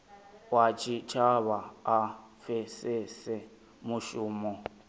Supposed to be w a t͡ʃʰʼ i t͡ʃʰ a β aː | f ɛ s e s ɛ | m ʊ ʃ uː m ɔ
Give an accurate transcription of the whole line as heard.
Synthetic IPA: w a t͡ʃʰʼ i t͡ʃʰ a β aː | f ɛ s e s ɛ | m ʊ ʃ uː m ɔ